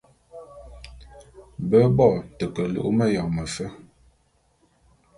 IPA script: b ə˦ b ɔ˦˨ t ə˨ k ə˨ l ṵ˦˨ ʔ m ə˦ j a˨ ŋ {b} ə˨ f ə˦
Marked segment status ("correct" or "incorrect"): incorrect